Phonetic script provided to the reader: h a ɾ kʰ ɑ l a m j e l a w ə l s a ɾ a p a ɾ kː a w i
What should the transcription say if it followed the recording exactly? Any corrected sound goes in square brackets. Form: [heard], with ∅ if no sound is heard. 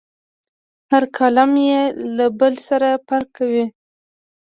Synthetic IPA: h a ɾ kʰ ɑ l a m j e l a [b] ə l s a ɾ a p a ɾ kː a w i